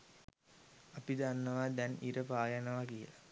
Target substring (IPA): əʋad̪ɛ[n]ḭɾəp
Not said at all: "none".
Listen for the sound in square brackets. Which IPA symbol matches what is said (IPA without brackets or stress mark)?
n